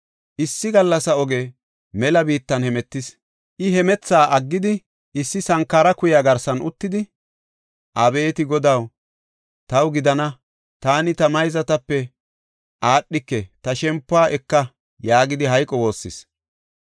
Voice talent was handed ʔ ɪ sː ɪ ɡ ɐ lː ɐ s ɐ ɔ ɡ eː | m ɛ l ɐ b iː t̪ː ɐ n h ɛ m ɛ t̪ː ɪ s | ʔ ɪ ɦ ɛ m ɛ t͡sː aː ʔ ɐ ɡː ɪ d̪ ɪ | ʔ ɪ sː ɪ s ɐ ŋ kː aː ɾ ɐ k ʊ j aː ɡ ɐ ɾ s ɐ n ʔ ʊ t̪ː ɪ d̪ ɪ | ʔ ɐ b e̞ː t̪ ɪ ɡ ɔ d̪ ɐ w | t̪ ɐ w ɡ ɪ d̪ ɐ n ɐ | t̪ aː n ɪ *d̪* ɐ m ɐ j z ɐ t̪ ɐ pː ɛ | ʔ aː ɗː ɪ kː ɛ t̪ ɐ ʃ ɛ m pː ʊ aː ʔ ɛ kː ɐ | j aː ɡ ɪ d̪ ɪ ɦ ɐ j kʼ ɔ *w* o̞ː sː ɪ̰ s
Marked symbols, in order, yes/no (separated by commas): no, yes